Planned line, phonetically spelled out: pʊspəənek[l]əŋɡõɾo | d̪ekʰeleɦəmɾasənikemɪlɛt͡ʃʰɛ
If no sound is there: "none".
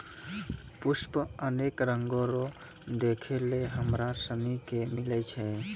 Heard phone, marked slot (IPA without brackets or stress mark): ɾ